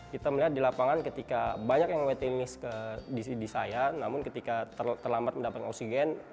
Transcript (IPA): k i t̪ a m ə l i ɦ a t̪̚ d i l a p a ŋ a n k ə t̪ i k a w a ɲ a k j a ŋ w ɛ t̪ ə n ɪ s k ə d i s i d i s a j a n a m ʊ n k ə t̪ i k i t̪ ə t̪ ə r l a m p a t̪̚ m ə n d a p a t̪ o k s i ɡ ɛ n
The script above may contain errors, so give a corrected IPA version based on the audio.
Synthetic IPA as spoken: k i t̪ a m ə l i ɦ a t̪̚ d i l a p a ŋ a n k ə t̪ i k a b a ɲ a k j a ŋ w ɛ t̪ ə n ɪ s k ə d i s i d i s a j a n a m ʊ n k ə t̪ i k a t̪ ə t̪ ə r l a m b a t̪̚ m ə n d a p a t̪ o k s i ɡ ɛ n